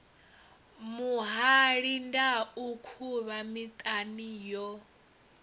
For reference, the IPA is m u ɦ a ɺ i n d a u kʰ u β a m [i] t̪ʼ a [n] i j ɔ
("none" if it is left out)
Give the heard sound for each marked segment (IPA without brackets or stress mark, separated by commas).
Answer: i, n